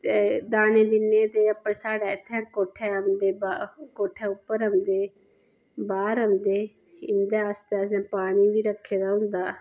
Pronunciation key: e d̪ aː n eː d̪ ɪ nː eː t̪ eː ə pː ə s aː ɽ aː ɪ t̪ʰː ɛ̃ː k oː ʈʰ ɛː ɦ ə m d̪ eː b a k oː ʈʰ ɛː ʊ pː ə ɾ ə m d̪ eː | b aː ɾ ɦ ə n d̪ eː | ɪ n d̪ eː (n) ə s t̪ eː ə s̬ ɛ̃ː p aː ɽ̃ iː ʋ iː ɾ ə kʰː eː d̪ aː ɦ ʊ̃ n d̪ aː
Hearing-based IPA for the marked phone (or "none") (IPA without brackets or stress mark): none